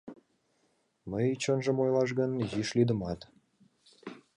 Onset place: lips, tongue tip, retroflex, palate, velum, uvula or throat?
lips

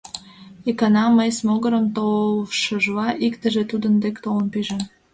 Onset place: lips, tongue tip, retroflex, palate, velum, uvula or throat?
velum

